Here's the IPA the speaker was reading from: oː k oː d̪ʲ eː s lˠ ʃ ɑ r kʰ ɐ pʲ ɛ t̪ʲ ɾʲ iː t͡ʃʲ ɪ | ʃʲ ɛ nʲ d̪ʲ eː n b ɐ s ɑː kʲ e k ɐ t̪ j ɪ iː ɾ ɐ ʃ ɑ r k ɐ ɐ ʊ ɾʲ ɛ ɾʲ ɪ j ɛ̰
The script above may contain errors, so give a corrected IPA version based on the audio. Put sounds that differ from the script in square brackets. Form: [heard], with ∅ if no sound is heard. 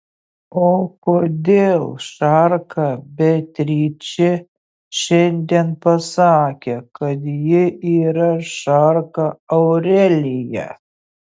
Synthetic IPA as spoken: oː k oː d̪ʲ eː [∅] lˠ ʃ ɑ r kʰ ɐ [bʲ] ɛ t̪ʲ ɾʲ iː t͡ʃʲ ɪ | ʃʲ ɛ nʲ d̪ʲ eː n [p] ɐ s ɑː kʲ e k ɐ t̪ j ɪ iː ɾ ɐ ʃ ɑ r k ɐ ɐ ʊ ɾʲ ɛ [lʲ] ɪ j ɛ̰